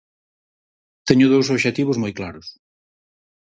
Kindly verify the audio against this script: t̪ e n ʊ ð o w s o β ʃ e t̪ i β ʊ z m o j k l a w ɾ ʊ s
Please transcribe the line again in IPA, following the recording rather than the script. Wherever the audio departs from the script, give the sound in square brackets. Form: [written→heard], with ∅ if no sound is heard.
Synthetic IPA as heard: t̪ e [n→ɲ] ʊ ð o w s o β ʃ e t̪ i β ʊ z m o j k l a [w→∅] ɾ ʊ s